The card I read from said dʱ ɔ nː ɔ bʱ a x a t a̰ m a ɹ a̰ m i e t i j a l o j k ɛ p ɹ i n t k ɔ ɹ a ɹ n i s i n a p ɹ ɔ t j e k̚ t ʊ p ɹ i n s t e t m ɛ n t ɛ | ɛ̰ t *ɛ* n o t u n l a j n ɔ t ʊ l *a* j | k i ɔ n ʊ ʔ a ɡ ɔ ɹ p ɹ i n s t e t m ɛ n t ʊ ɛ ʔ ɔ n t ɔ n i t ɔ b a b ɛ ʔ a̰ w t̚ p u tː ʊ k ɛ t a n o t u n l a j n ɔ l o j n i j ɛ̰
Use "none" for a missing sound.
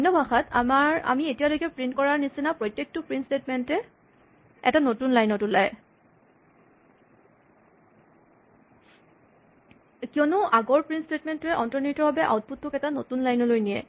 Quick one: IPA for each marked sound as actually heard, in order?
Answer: a, a

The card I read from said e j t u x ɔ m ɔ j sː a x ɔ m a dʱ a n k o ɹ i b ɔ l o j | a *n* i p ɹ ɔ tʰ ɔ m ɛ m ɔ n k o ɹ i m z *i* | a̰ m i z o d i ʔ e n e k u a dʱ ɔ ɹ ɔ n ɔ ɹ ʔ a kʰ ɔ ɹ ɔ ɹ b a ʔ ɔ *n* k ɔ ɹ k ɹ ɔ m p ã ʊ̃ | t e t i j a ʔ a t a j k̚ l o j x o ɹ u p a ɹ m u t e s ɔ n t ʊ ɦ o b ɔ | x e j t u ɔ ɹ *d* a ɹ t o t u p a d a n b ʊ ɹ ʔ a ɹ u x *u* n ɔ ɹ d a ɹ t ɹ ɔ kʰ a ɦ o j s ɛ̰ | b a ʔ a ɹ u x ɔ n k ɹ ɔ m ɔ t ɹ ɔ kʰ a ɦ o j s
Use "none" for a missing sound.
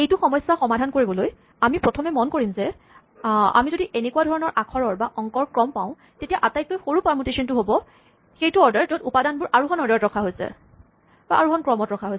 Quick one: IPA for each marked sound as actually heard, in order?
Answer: m, ɛ, ŋ, d, ɔ

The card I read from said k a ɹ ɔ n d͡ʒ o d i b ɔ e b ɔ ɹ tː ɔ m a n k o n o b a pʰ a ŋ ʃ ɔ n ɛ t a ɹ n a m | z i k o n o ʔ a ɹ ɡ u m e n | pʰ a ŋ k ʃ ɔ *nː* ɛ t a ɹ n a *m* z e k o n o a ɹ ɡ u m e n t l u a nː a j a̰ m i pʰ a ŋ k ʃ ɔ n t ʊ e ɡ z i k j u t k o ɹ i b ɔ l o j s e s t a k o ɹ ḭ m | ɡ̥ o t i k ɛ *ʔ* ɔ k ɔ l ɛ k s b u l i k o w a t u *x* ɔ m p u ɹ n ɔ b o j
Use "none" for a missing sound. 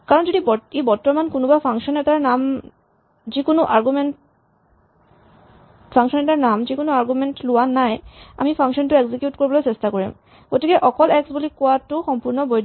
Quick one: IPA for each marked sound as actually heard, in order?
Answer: n, m, ʔ, x

